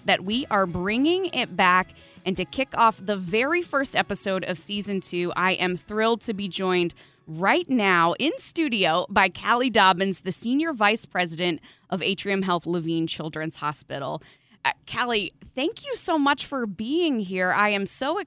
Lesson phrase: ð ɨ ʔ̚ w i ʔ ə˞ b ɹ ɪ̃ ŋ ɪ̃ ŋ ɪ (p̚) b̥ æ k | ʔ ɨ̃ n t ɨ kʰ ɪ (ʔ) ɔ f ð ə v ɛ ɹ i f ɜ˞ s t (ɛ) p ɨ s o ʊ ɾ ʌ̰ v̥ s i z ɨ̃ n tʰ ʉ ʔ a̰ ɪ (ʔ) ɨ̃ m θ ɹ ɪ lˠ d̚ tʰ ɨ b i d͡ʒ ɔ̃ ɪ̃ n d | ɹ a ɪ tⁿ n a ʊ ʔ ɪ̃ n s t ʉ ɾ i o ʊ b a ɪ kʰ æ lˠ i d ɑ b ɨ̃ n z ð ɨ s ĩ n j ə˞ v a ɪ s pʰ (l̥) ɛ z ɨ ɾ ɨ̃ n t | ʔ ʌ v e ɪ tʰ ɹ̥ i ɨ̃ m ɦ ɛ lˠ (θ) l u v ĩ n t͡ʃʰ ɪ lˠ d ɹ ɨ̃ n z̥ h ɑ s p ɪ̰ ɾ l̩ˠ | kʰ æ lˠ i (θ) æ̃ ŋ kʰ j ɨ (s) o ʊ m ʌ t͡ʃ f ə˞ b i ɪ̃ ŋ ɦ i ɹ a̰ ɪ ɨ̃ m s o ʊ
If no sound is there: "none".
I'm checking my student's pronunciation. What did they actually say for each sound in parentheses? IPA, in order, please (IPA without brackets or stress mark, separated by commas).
t̚, k, ɛ, ʔ, ɹ̥, θ, θ, s